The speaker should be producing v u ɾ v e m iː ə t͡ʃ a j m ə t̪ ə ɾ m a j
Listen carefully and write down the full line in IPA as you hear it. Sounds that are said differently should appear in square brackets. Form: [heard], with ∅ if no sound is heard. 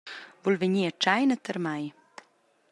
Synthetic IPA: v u [l] v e [ɲ] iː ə t͡ʃ a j [n] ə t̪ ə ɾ m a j